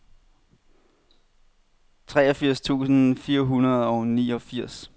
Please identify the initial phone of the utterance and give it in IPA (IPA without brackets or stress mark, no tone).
t͡sʰ